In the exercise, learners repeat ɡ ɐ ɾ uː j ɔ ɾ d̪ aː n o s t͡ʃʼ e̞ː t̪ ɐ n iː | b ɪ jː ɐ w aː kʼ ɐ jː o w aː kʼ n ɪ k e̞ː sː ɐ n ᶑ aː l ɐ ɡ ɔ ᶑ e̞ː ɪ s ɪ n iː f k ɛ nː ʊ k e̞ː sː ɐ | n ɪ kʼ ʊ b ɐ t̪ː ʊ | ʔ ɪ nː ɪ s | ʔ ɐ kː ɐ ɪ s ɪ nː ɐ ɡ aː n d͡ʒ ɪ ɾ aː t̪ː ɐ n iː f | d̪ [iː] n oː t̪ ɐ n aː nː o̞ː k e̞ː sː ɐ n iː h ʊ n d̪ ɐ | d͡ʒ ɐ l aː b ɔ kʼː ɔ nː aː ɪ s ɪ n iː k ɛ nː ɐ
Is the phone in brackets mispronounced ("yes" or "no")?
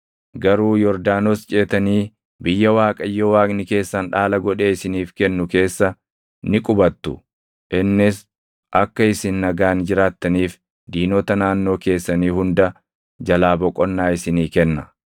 no